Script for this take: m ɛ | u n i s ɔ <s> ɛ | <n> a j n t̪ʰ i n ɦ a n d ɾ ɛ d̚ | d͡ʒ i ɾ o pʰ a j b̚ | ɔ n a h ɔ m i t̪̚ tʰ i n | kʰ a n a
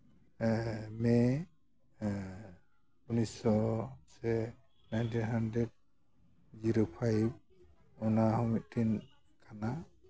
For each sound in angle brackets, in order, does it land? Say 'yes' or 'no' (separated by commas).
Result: yes, yes